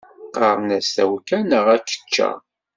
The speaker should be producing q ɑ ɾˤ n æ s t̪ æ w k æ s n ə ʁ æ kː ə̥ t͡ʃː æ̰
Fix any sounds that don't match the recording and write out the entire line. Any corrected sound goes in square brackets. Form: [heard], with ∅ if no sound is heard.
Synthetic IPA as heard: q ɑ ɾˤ n æ s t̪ æ w k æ [∅] n ə ʁ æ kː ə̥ t͡ʃː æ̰